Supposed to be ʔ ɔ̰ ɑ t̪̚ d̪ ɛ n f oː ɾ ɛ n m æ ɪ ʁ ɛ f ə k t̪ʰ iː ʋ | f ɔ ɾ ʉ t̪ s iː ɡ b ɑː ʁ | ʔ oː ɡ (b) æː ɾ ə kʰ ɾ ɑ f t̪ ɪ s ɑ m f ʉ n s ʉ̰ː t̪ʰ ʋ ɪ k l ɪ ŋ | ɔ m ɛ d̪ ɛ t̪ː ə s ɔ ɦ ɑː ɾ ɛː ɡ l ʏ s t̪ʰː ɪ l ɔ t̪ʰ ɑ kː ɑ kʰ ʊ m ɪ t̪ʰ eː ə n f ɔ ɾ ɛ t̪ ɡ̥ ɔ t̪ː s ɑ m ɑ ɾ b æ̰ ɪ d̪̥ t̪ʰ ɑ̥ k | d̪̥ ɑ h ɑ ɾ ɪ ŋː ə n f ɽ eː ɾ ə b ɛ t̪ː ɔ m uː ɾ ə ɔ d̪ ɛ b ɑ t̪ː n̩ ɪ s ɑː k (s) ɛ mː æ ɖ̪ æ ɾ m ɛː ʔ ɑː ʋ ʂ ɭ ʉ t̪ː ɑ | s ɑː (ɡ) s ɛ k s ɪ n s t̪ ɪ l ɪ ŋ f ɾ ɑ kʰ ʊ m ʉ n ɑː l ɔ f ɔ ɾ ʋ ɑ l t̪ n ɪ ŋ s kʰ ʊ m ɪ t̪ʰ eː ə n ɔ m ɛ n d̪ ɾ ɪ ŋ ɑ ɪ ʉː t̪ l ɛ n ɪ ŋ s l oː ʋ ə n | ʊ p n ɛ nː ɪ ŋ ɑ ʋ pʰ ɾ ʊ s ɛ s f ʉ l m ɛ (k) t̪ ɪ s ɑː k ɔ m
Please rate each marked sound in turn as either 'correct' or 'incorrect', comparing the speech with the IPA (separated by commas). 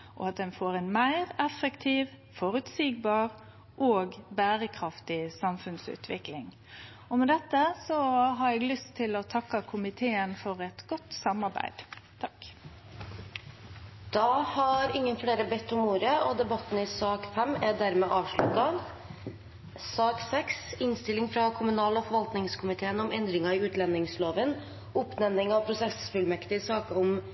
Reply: correct, incorrect, incorrect, correct